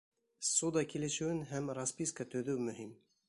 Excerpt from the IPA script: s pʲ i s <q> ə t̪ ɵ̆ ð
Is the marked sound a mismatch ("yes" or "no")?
yes